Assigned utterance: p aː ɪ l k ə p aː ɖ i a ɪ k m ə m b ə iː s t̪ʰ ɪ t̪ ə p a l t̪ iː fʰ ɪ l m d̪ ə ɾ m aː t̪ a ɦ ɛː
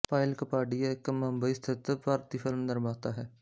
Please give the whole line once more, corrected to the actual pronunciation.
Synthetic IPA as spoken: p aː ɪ l k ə p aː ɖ i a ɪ k m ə m b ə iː s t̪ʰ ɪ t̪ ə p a ɾ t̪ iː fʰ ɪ l m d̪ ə ɾ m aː t̪ a ɦ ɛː